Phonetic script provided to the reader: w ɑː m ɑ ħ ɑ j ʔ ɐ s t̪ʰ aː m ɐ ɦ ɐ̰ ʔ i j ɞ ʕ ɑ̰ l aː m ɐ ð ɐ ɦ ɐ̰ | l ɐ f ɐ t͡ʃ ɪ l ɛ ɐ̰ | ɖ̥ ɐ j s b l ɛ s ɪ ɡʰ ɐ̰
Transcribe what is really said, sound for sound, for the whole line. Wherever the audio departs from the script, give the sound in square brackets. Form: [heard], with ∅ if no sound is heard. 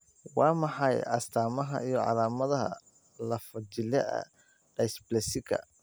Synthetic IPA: w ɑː m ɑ ħ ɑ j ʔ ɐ s t̪ʰ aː m ɐ ɦ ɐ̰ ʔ i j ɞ ʕ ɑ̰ l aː m ɐ ð ɐ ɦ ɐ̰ | l ɐ f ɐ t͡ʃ ɪ l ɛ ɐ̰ | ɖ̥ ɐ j s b l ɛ s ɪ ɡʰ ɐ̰